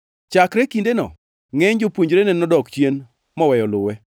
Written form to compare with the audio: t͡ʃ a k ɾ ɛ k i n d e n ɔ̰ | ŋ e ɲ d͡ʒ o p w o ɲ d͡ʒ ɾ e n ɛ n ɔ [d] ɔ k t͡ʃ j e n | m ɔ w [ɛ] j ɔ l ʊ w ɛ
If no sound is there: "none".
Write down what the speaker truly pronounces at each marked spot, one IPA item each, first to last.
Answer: d, ɛ

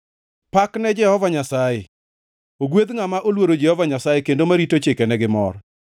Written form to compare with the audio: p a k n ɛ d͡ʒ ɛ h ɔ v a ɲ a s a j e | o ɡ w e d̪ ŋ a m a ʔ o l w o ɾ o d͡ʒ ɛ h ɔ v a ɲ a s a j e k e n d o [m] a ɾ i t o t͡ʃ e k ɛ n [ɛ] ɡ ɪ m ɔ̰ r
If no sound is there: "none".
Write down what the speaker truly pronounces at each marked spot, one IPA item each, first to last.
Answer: m, ɛ

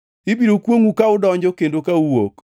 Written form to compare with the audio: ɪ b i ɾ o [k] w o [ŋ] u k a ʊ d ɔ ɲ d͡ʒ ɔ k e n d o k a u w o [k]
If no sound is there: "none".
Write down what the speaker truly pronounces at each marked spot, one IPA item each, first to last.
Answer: k, ŋ, k

